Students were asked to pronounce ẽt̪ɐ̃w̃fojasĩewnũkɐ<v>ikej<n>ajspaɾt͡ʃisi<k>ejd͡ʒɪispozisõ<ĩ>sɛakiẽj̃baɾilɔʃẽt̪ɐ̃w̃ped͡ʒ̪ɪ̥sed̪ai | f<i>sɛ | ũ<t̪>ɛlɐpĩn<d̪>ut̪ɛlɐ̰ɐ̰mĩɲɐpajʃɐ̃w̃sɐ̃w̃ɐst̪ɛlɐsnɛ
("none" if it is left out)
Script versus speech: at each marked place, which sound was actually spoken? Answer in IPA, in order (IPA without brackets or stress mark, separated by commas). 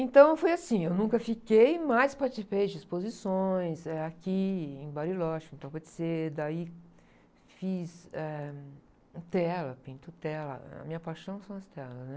f, m, p, j̃, i, t̪, t̪